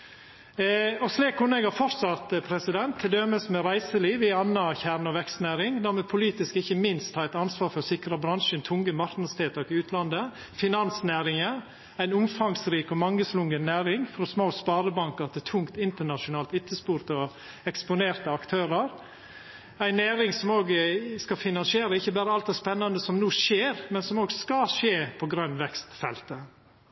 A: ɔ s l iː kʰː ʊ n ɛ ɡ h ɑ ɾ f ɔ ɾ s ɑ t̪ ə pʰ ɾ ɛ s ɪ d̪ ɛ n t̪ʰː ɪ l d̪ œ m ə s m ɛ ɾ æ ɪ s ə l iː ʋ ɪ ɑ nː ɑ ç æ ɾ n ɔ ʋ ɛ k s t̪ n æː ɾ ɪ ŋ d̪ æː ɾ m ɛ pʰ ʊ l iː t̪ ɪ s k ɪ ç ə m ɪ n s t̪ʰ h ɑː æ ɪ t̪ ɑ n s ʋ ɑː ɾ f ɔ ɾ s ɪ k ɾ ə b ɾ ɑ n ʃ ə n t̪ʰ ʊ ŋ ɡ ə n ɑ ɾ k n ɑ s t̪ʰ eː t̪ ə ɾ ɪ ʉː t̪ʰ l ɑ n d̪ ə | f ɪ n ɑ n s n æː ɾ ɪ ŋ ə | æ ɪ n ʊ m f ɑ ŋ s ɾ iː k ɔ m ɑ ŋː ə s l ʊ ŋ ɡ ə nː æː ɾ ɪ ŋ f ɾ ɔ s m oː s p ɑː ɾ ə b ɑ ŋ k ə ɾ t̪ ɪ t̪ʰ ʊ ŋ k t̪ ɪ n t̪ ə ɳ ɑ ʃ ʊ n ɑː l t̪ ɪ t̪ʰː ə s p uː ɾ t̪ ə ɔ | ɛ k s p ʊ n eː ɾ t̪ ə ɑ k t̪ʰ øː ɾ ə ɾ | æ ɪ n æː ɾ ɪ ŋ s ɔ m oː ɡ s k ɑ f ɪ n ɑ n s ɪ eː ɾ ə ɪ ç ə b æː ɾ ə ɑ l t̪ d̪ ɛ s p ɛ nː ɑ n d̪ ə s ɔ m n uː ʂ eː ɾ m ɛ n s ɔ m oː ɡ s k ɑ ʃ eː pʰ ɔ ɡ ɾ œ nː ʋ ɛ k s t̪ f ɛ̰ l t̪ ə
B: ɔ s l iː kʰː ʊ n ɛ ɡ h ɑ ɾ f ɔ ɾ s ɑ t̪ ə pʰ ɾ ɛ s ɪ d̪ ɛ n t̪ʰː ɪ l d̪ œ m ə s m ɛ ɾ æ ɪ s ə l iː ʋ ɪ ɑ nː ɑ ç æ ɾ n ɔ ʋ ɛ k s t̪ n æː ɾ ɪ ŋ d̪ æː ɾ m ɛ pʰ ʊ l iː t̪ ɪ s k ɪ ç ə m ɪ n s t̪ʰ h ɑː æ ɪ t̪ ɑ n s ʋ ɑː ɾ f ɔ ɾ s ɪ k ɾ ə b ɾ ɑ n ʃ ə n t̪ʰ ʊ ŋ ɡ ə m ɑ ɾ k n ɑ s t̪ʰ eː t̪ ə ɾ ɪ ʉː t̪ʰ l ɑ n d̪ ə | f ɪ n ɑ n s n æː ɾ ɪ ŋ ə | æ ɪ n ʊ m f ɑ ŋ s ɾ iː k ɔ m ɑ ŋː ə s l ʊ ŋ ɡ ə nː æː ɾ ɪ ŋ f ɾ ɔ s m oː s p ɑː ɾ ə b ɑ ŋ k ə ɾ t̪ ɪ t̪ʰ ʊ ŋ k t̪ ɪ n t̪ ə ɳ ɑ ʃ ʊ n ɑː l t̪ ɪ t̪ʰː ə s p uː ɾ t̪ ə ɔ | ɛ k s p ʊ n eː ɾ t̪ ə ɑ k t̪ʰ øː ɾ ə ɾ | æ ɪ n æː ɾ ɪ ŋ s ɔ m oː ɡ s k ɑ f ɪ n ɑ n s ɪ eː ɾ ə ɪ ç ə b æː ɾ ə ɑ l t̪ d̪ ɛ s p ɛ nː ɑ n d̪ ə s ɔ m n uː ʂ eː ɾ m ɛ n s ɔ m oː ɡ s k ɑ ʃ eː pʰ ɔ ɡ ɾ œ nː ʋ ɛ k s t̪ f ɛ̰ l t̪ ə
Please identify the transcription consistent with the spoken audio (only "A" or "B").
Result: B